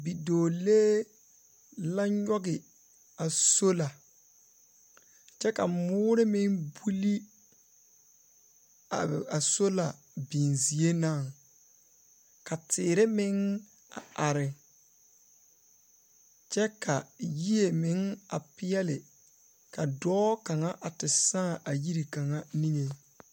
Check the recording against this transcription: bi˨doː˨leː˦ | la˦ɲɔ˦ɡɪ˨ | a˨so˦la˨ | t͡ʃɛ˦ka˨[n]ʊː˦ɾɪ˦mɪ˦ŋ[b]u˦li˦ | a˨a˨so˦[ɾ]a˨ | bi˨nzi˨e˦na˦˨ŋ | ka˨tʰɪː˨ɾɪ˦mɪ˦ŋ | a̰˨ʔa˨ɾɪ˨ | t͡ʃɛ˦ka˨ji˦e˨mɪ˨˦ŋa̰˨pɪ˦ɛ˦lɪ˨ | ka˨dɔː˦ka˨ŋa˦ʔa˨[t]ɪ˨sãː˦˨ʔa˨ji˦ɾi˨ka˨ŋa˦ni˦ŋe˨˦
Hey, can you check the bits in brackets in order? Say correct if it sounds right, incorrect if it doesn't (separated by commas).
incorrect, correct, incorrect, correct